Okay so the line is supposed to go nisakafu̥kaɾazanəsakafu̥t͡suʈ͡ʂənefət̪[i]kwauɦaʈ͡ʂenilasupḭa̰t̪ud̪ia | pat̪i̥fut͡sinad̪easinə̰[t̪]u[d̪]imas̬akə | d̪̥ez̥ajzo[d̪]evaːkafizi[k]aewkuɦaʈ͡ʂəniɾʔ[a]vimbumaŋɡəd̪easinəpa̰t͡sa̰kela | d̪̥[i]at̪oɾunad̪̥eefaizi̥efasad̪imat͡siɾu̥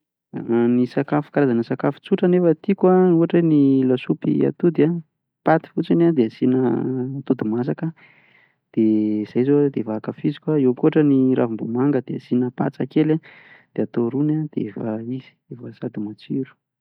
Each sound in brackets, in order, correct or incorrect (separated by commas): correct, correct, correct, correct, correct, correct, incorrect